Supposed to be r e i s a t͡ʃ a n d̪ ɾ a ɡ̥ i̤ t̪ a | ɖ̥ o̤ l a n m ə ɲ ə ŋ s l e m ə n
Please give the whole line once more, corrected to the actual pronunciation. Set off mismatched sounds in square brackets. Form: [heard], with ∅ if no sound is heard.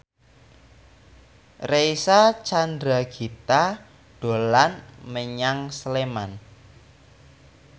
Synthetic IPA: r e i s a t͡ʃ a n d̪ ɾ a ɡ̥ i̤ t̪ a | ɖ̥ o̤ l a n m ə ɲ [a] ŋ s l e m [a] n